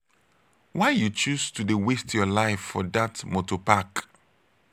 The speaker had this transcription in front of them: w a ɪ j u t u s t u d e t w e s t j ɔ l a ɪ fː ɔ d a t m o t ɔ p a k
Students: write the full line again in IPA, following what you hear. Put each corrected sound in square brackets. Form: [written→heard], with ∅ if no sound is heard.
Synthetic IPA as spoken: w a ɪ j u [t→t͡ʃ] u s t u d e [t→∅] w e s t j ɔ l a ɪ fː ɔ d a t m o t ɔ p a k